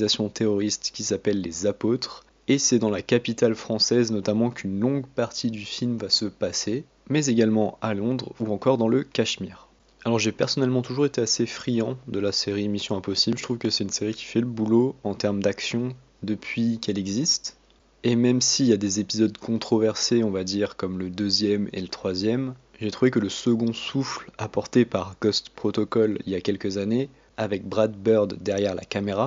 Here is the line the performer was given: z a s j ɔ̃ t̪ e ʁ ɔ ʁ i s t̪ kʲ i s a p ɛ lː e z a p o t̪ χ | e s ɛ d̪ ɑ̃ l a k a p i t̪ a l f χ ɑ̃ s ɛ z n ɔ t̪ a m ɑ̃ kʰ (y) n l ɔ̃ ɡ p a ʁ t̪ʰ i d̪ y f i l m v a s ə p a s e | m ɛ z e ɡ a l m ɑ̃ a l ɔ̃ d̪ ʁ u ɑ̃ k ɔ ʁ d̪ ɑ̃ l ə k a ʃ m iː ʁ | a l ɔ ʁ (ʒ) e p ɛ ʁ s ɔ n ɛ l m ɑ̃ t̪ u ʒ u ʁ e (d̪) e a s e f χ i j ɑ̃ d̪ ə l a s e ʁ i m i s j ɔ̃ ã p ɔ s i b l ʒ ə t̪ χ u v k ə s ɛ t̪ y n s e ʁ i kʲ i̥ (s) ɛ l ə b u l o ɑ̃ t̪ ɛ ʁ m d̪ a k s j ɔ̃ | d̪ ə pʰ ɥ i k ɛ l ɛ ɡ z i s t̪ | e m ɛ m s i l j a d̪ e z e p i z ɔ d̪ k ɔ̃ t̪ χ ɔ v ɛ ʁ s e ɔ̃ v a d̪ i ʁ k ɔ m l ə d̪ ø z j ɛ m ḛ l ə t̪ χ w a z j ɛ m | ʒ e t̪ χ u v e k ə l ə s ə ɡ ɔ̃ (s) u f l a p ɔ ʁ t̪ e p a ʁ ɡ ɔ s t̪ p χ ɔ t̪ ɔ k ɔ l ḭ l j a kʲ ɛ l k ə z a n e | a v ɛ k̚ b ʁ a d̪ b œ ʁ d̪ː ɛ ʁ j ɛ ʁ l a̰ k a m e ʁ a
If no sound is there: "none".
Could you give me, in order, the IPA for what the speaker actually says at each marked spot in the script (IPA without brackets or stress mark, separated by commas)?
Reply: y, ʒ, t̪, f, s